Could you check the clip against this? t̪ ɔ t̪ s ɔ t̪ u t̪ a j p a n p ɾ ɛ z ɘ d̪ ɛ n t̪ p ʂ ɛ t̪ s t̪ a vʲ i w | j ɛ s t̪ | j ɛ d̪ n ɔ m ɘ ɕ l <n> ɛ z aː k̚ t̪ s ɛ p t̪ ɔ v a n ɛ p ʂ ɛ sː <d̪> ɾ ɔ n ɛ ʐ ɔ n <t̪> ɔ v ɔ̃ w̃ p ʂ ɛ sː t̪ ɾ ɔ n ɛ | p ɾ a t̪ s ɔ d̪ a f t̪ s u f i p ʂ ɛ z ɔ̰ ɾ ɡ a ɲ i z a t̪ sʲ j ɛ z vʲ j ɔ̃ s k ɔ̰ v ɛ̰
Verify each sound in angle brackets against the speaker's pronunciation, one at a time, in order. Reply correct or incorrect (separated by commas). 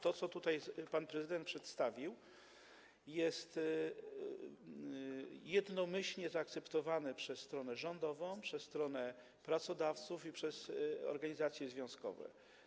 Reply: incorrect, incorrect, incorrect